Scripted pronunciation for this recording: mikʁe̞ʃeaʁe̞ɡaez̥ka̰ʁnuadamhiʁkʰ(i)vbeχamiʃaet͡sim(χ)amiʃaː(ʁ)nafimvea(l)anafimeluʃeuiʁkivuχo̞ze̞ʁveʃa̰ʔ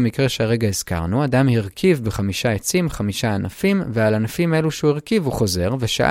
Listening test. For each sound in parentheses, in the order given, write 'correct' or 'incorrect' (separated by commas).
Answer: correct, correct, incorrect, correct